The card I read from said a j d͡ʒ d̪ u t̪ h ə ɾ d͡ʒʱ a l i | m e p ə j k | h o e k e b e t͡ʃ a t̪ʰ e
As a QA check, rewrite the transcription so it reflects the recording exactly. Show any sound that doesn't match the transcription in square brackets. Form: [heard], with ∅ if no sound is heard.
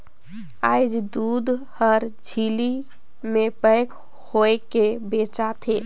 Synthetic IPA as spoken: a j d͡ʒ d̪ u [d̪] h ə ɾ d͡ʒʱ [i] l i | m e p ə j k | h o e k e b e t͡ʃ a t̪ʰ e